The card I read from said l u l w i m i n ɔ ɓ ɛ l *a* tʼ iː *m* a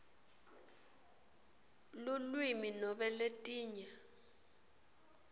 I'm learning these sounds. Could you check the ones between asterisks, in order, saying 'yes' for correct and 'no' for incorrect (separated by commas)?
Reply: no, no